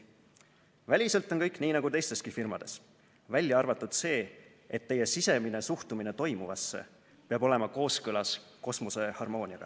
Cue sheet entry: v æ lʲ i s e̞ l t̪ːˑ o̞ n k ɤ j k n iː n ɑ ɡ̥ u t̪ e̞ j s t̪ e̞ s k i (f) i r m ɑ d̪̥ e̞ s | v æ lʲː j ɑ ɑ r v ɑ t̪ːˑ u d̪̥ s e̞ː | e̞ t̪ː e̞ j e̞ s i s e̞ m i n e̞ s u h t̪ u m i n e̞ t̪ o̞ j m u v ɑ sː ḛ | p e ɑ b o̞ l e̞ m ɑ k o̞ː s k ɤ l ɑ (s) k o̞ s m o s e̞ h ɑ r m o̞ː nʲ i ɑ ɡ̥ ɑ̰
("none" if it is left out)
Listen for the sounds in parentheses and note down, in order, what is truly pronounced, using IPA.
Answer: f, s

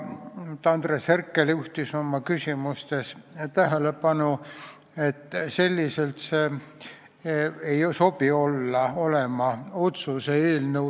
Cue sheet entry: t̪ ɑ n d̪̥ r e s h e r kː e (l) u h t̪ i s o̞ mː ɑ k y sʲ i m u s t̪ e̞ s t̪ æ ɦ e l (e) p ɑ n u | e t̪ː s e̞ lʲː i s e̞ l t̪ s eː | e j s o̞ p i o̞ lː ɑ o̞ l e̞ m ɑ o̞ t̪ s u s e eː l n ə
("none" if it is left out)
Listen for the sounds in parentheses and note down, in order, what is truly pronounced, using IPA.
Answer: l, e

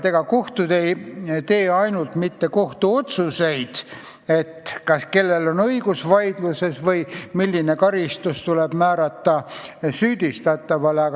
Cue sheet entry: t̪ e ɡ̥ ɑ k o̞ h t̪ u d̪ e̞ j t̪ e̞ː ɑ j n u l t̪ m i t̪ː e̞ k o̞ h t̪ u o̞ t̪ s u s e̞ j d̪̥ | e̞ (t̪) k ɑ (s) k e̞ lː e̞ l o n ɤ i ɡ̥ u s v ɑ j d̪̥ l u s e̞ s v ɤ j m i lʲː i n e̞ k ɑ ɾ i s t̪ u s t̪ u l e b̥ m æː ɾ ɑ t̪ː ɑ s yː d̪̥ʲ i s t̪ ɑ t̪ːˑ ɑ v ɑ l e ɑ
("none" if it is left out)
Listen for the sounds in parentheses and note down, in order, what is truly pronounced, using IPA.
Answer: t̪, s

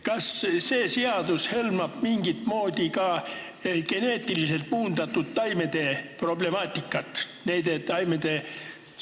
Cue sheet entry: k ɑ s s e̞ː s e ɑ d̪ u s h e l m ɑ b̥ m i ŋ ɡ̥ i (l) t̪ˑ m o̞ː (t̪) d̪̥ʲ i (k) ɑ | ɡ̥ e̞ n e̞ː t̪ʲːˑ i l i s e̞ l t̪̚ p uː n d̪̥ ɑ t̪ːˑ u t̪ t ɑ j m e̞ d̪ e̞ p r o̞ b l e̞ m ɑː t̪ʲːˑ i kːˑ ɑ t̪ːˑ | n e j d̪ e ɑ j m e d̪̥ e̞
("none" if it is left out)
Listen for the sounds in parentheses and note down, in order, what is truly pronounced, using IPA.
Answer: none, none, k

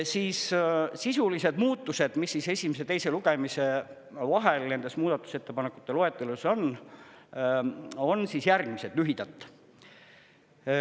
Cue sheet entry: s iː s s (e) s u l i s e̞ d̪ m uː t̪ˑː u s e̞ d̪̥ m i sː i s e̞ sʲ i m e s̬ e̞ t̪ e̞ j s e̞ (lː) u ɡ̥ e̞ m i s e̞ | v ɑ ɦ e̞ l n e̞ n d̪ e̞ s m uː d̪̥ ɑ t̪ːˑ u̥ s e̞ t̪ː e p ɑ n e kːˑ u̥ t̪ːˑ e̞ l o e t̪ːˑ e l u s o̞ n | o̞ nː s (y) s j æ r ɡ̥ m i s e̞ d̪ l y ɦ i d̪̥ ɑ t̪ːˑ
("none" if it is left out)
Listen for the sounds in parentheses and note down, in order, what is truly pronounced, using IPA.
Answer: i, l, i

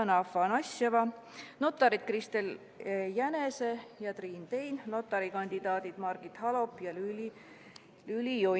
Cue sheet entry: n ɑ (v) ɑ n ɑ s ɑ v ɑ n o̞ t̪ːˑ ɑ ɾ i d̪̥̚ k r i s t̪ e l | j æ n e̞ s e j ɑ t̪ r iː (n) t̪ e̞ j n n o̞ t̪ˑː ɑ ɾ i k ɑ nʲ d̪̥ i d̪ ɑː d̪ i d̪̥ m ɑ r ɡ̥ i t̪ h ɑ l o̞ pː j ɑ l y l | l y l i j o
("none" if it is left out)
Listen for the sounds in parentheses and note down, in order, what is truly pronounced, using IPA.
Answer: f, n

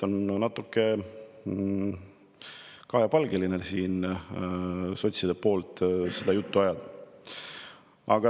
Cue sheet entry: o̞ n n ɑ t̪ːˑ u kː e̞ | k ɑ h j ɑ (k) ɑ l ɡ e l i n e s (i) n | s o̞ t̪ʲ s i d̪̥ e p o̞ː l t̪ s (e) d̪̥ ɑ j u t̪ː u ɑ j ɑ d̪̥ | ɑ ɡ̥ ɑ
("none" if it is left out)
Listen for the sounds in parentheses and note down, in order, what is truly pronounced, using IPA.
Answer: p, iː, e

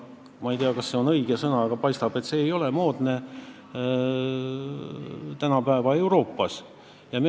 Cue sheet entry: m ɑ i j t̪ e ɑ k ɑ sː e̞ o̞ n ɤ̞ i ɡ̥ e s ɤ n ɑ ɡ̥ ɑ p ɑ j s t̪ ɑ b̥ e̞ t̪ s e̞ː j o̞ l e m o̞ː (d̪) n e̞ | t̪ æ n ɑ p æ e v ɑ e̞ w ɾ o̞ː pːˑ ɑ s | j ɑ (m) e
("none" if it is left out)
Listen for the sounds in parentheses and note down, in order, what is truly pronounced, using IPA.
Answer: d̪, m

